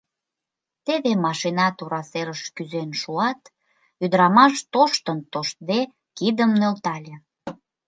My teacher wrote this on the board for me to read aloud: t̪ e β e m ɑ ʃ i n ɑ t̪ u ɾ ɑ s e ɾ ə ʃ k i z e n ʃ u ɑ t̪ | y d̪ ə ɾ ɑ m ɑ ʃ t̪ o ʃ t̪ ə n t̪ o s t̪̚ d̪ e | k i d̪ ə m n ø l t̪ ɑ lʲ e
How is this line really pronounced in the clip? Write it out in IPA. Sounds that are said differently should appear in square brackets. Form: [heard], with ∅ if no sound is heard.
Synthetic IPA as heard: t̪ e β e m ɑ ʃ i n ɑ t̪ u ɾ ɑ s e ɾ ə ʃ k [y] z e n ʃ u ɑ t̪ | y d̪ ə ɾ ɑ m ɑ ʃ t̪ o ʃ t̪ ə n t̪ o [ʃ] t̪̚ d̪ e | k i d̪ ə m n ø l t̪ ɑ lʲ e

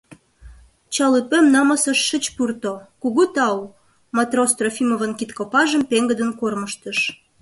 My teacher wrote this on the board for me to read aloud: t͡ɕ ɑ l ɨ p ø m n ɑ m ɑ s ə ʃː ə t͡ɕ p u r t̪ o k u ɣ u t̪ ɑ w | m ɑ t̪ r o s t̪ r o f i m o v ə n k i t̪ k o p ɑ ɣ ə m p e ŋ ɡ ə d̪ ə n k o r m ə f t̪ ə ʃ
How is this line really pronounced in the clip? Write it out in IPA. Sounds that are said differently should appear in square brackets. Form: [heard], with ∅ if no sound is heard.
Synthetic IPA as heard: t͡ɕ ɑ l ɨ p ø m n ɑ m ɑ s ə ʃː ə t͡ɕ p u r t̪ o k u ɣ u t̪ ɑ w | m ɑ t̪ r o s t̪ r o f i m o v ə n k i t̪ k o p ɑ [ʒ] ə m p e ŋ ɡ ə d̪ ə n k o r m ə [ʃ] t̪ ə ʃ

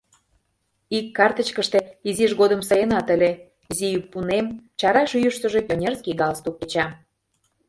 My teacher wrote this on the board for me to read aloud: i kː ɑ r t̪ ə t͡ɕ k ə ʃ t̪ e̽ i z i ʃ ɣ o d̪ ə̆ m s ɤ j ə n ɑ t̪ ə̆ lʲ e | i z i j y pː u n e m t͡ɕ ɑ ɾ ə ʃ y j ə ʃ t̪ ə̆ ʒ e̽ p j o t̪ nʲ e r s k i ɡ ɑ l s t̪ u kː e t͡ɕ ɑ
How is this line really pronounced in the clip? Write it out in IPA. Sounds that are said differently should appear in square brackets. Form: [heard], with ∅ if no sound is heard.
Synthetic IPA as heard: i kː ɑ r t̪ ə t͡ɕ k ə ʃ t̪ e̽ i z i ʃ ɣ o d̪ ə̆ m s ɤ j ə n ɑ t̪ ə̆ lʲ e | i z i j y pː u n e m t͡ɕ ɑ ɾ [ɑ] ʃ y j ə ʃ t̪ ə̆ ʒ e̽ p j o [∅] nʲ e r s k i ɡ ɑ l s t̪ u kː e t͡ɕ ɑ

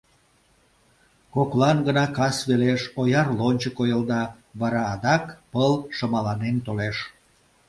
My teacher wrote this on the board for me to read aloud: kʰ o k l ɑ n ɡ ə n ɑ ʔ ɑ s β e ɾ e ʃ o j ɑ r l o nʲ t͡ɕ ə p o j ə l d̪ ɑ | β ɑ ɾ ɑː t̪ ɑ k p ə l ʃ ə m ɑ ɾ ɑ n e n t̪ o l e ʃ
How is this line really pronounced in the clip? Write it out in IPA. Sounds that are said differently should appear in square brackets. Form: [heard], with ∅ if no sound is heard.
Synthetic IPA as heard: [k] o k l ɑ n ɡ ə n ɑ [k] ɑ s β e [l] e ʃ o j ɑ r l o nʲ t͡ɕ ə [k] o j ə l d̪ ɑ | β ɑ ɾ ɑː [d̪] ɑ k p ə l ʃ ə m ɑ [l] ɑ n e n t̪ o l e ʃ

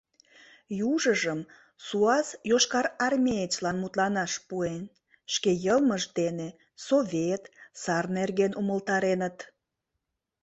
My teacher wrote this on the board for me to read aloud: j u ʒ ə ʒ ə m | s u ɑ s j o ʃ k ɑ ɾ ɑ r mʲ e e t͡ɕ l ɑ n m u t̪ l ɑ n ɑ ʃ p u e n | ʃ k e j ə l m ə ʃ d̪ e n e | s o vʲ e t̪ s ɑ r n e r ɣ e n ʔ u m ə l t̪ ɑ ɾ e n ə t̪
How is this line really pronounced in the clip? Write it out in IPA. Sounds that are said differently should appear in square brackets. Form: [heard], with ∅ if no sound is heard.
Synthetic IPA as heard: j u ʒ ə ʒ ə m | s u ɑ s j o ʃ k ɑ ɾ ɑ r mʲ e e t͡ɕ l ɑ n m u t̪ l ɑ n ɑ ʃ p u e n | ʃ k e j ə l m ə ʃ d̪ e n e | s o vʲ e t̪ s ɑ r n e r ɣ e n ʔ u m ə l t̪ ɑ ɾ e n ə t̪

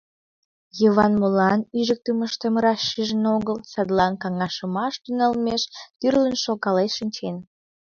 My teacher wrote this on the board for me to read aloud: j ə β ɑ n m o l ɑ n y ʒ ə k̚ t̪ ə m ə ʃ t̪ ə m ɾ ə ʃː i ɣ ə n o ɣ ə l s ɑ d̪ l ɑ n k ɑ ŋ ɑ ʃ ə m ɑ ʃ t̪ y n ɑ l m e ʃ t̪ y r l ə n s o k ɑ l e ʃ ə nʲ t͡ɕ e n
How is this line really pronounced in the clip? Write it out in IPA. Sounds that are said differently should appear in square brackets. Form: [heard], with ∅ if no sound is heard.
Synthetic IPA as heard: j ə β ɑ n m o l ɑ n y ʒ ə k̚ t̪ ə m ə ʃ t̪ ə m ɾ [ɑ] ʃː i [ʒ] ə n o ɣ ə l s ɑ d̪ l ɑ n k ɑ ŋ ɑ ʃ ə m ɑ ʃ t̪ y n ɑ l m e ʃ t̪ y r l ə n [ʃ] o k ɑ l e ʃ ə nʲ t͡ɕ e n

